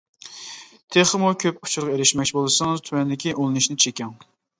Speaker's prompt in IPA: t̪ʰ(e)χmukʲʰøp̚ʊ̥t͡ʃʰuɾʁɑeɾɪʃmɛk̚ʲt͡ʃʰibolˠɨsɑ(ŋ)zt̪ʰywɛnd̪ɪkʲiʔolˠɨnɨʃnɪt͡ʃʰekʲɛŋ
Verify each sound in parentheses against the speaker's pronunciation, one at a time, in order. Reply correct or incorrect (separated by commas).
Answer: correct, correct